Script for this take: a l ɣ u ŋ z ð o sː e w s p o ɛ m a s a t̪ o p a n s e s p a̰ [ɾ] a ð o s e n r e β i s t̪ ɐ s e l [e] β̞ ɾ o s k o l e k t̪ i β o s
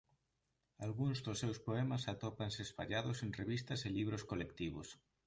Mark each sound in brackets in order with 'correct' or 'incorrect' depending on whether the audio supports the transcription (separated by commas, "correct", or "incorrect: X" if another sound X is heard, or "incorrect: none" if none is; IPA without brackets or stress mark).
incorrect: ʎ, incorrect: i